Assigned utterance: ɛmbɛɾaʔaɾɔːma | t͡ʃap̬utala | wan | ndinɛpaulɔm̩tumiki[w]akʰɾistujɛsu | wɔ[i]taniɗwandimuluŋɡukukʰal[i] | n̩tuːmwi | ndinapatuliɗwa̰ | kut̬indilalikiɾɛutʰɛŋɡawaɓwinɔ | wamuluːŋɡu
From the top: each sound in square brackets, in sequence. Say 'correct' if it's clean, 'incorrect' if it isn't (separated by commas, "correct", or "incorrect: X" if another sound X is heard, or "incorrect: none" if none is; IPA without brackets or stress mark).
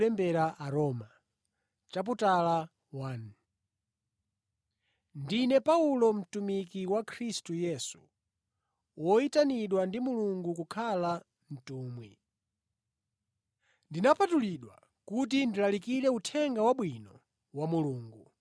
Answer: correct, correct, incorrect: a